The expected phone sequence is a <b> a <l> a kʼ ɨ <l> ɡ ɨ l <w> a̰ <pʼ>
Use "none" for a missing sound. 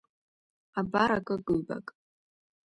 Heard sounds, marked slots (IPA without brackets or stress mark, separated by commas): b, ɾ, none, b, kʼ